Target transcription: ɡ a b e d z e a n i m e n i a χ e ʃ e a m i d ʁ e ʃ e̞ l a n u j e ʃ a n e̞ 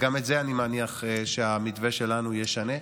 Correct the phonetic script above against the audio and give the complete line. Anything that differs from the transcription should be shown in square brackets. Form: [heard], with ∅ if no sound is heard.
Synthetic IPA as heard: ɡ a [m] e [t] z e a n i m [a] n i a χ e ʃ e a m i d [v] e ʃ e̞ l a n u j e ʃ a n e̞